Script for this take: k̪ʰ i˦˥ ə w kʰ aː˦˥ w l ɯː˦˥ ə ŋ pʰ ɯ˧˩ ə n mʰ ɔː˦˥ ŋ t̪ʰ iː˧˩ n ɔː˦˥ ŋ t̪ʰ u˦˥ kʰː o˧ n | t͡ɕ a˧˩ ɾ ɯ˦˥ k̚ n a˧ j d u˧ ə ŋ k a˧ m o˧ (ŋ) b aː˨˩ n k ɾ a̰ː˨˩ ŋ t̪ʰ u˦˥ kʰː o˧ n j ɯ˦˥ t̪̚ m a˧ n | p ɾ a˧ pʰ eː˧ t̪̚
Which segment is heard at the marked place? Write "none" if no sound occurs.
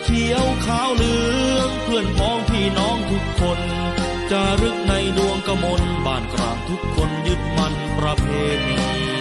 n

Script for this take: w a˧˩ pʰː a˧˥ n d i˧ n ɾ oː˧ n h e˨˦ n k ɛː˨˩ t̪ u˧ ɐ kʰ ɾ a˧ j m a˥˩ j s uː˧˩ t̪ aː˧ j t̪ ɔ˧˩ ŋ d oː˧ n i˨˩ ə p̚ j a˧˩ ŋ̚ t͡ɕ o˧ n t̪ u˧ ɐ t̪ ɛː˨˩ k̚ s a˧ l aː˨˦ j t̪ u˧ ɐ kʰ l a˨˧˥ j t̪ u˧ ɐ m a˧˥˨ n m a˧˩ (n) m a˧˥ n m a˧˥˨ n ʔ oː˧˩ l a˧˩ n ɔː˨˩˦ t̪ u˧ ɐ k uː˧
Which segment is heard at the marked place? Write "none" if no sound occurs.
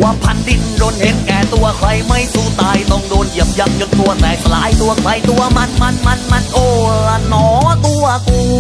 n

